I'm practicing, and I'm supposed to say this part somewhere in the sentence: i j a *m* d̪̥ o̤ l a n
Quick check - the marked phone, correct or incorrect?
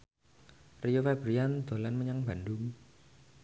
incorrect